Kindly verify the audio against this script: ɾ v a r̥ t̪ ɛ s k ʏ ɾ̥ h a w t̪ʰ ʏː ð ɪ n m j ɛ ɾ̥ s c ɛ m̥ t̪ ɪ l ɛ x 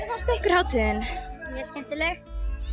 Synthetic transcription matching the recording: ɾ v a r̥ t̪ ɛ h k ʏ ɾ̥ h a w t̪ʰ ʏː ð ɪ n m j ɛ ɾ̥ s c ɛ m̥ t̪ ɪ l ɛ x